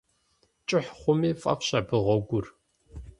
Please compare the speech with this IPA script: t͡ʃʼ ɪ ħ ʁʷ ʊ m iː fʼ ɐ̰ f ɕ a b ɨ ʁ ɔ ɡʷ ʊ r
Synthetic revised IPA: t͡ʃʼ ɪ ħ χʷ ʊ m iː fʼ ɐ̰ f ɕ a b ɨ ʁ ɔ ɡʷ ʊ r